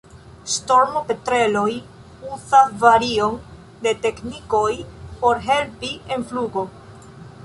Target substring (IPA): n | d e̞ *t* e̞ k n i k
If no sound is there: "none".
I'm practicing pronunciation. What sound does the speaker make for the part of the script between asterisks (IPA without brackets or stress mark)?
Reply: t